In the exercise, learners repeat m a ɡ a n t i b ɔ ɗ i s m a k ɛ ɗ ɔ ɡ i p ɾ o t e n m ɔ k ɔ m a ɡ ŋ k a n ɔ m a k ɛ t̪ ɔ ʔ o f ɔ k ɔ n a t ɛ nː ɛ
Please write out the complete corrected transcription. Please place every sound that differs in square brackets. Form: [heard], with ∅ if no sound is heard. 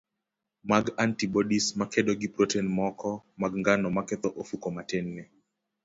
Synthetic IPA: m a ɡ a n t i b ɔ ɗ i s m a k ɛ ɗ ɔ ɡ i p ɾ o t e n m ɔ k ɔ m a ɡ ŋ [ɡ] a n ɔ m a k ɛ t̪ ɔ ʔ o f [u] k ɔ [m] a t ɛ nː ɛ